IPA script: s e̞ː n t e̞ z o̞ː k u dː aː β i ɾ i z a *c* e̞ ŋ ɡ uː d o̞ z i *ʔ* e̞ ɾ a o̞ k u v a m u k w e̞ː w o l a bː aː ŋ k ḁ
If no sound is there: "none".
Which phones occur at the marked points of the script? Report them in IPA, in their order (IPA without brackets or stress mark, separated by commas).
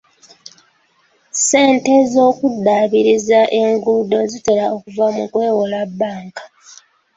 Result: ʔ, t